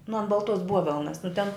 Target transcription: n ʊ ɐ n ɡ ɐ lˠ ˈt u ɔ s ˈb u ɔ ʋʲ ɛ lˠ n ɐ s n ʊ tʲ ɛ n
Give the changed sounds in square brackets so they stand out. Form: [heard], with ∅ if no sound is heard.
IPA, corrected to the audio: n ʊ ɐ n [b] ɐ lˠ ˈt u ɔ s ˈb u ɔ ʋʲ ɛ lˠ n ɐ s n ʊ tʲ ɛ n